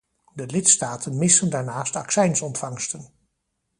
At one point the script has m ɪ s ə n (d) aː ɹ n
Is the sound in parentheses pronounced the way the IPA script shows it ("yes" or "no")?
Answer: yes